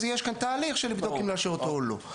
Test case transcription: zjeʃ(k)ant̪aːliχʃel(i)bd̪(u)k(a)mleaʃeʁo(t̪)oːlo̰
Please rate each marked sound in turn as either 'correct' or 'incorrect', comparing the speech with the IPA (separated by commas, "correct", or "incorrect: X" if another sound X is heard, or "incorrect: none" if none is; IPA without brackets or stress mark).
correct, correct, incorrect: o, incorrect: i, correct